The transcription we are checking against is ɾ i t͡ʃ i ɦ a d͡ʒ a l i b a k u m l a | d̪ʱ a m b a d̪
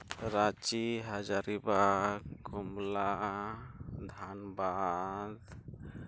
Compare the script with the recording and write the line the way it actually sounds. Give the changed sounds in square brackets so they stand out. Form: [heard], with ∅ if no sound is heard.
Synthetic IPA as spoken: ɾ [a] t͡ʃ i ɦ a d͡ʒ a [ɾ] i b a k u m l a | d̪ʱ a [n] b a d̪